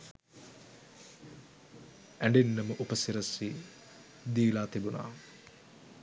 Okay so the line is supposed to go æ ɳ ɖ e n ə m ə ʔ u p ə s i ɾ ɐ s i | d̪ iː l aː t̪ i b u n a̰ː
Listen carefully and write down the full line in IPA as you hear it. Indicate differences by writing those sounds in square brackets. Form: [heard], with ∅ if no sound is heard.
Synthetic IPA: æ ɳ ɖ e [nː] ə m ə ʔ u p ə s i ɾ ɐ s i | d̪ iː l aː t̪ i b u n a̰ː